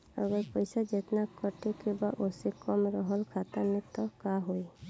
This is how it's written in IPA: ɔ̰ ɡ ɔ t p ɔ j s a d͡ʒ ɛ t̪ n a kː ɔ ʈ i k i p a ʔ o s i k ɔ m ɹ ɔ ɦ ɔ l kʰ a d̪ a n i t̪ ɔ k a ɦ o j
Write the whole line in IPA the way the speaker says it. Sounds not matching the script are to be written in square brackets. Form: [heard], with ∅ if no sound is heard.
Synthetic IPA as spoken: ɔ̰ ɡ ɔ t p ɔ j s a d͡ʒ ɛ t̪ n a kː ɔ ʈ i k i [b] a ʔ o s i k ɔ m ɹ ɔ ɦ ɔ l kʰ a [t̪] a n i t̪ ɔ k a ɦ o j